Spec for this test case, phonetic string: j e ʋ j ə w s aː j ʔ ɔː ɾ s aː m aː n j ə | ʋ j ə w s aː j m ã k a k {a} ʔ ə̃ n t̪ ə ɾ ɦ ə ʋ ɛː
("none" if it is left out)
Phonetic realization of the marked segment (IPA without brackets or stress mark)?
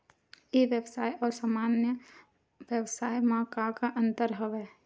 a